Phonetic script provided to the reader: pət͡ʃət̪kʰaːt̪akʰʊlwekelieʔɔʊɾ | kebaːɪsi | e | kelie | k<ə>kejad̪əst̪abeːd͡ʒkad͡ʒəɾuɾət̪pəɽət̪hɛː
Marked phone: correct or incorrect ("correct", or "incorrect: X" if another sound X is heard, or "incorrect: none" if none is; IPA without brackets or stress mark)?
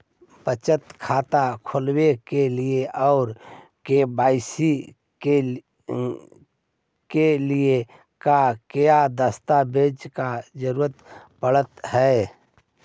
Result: incorrect: a